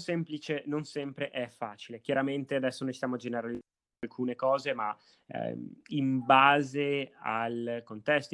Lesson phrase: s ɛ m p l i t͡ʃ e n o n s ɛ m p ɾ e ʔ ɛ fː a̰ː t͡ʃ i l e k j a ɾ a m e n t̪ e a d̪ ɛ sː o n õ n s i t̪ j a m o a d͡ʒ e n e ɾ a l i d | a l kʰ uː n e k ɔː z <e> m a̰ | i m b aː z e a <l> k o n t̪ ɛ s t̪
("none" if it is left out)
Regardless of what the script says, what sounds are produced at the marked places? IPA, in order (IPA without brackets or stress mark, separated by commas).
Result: e, l